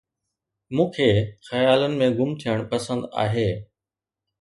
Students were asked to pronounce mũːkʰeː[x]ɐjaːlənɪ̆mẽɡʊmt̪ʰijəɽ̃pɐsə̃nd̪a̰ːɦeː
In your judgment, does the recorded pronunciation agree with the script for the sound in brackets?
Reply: yes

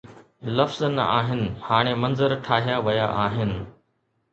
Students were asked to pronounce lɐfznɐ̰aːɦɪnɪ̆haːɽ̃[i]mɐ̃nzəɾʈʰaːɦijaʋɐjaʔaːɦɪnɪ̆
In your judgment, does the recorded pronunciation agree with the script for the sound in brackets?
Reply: no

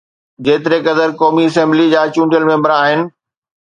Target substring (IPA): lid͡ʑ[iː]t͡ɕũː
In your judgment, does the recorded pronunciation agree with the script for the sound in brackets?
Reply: no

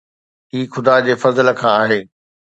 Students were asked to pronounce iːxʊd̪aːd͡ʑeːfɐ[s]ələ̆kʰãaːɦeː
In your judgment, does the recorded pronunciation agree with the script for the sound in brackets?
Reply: no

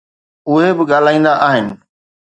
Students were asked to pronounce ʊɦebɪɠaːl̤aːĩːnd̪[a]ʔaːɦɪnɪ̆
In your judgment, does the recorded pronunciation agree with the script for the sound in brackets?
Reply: yes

